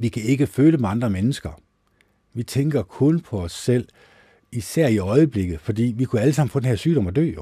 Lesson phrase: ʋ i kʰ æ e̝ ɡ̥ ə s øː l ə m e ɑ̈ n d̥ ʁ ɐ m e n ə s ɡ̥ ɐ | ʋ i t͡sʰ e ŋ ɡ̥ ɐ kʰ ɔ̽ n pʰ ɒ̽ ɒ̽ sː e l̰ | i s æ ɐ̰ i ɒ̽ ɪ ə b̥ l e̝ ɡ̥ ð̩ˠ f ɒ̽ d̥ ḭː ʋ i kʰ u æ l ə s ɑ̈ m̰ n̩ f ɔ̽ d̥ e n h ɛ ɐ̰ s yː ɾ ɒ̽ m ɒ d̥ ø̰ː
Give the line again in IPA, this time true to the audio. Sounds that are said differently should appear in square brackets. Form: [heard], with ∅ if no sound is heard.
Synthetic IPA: ʋ i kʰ æ e̝ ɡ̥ ə [f] øː l ə m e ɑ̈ n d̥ ʁ ɐ m e n ə s ɡ̥ ɐ | ʋ i t͡sʰ e ŋ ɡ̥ ɐ kʰ ɔ̽ n pʰ ɒ̽ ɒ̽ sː e l̰ | i s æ ɐ̰ i ɒ̽ ɪ ə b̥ l e̝ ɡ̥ ð̩ˠ f ɒ̽ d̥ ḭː ʋ i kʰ u æ l ə s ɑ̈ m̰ n̩ f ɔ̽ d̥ e n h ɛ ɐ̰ s yː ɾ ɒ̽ m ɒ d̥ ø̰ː